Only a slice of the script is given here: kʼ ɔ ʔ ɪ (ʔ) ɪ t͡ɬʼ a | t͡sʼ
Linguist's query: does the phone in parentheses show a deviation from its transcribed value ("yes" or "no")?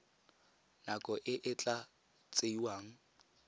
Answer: no